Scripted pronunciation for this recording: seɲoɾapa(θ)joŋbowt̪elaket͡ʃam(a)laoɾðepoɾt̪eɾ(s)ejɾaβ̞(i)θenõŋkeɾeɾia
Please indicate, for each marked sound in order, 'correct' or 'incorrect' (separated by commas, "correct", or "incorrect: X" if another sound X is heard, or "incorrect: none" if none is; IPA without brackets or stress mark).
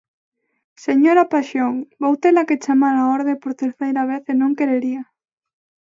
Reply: incorrect: ʃ, correct, incorrect: θ, incorrect: e